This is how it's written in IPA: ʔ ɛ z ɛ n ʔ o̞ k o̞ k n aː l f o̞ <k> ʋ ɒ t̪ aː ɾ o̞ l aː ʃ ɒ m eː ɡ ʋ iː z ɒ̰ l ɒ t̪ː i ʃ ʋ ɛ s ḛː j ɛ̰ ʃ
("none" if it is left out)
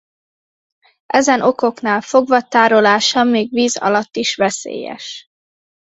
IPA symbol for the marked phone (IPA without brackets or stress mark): ɡ